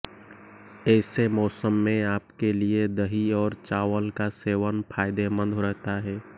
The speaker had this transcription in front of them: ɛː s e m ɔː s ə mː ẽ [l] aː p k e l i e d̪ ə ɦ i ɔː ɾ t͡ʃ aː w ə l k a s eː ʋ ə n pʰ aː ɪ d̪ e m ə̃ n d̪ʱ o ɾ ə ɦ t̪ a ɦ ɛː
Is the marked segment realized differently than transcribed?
yes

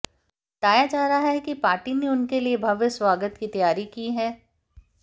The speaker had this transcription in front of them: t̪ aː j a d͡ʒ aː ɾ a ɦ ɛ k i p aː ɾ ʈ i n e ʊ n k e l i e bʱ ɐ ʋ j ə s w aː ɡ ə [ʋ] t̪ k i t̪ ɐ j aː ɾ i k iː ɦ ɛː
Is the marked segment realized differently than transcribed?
yes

